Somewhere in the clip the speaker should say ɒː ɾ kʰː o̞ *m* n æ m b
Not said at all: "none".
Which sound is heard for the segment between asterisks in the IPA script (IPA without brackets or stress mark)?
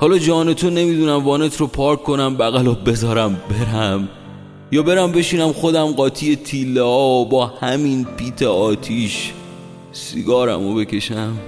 none